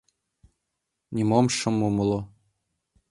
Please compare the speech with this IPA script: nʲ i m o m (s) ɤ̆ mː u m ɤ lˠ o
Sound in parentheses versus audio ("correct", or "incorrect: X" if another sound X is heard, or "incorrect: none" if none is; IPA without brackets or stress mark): incorrect: ʃ